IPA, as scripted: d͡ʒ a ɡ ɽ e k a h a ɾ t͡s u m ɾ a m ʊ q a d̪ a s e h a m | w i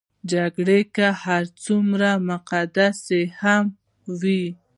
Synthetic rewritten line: d͡ʒ a ɡ ɽ e k a h a ɾ t͡s u m ɾ a m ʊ q a d̪ a s e h a m | w i